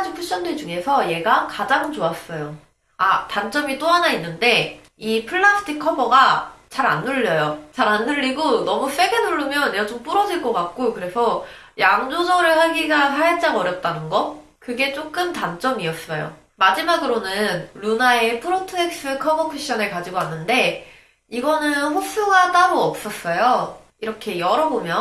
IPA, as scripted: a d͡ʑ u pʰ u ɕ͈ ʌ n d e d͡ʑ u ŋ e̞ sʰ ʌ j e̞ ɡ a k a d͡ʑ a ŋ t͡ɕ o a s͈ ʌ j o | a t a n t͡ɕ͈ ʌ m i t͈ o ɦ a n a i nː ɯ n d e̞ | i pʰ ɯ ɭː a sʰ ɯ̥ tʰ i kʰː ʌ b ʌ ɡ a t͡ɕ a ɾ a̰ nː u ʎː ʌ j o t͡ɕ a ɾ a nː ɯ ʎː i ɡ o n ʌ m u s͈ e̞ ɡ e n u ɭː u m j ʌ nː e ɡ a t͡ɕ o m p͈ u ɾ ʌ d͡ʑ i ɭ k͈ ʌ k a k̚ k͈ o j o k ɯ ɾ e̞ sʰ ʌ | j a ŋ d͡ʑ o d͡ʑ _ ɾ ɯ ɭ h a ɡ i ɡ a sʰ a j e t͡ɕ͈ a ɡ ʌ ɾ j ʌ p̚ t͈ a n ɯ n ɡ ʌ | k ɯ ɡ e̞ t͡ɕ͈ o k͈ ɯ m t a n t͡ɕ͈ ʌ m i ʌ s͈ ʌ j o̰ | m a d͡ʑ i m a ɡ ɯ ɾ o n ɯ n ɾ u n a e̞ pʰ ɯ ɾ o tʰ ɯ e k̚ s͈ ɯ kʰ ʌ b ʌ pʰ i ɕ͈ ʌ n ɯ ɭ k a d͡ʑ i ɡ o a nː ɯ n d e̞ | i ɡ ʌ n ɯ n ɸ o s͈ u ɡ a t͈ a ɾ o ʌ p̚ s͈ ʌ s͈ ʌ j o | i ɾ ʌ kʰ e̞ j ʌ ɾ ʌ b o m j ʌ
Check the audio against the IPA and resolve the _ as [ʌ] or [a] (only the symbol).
ʌ